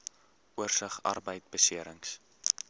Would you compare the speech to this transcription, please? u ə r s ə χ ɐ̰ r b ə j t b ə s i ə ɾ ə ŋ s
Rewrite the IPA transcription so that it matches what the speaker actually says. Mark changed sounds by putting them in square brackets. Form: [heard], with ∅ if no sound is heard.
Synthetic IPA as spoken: u ə r s ə χ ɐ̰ r b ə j t b ə s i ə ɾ ə ŋ s